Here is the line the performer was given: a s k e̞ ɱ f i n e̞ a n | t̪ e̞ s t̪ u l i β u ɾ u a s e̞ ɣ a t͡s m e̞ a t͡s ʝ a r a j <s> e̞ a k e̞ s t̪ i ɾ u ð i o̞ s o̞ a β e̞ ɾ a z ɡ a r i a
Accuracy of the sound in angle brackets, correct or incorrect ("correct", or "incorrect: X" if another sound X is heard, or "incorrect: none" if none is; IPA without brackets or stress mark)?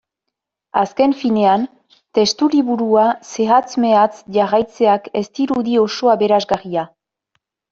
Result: incorrect: t͡s